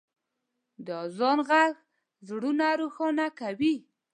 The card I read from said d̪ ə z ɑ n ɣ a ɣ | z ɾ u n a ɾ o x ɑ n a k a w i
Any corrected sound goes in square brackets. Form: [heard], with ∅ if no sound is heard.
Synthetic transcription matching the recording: d̪ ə z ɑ n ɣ a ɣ | z [ɽ] u n a ɾ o x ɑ n a k a w i